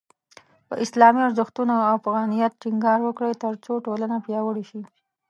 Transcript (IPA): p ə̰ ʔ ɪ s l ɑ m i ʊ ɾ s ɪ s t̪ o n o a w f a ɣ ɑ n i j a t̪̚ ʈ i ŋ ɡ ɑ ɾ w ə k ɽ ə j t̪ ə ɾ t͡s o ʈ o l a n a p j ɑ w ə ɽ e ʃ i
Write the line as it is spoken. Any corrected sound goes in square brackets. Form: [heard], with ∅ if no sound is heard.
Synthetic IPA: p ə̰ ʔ ɪ s l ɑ m i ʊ ɾ [z] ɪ [x] t̪ [u] n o a w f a ɣ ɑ n i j a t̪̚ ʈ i ŋ ɡ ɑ ɾ w ə k ɽ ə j t̪ ə ɾ t͡s o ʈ o l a n a p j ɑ w ə ɽ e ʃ i